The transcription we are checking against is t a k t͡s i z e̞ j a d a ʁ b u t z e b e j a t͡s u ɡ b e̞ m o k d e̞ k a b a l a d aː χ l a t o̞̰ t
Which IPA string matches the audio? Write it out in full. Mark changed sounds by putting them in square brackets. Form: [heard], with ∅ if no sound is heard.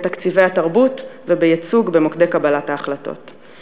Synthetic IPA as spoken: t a k t͡s i [v] e̞ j a [t] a ʁ b u t [v] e b e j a t͡s u ɡ b e̞ m o k d e̞ k a b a l a [t] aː χ l a t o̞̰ t